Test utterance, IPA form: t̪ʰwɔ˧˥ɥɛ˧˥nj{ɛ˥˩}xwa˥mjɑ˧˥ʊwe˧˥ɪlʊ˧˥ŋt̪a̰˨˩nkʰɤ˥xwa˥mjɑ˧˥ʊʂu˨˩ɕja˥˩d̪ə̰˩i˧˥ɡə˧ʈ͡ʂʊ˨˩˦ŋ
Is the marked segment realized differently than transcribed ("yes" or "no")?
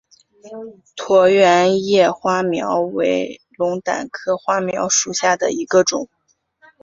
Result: no